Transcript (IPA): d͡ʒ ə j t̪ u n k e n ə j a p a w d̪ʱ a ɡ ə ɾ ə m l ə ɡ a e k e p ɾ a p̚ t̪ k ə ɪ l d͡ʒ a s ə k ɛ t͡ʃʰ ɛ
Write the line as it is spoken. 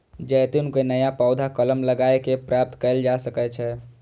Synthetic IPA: d͡ʒ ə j t̪ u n k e n ə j a p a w d̪ʱ a k ə l ə m l ə ɡ a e k e p ɾ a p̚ t̪ k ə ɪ l d͡ʒ a s ə k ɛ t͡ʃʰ ɛ

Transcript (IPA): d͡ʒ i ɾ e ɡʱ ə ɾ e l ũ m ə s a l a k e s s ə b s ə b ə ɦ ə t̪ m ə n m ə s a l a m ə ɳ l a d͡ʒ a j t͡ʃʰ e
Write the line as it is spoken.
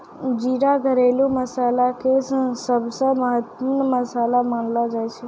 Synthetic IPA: d͡ʒ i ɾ a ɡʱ ə ɾ e l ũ m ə s a l a k e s s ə b s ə m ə ɦ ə t̪ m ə n m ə s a l a m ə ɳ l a d͡ʒ a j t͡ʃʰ e

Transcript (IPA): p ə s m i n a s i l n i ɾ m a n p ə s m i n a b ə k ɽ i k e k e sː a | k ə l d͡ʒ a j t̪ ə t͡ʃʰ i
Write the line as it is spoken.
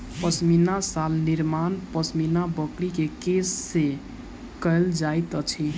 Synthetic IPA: p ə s m i n a s a l n i ɾ m a n p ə s m i n a b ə k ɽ i k e k e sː e | k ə l d͡ʒ a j t̪ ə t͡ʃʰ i

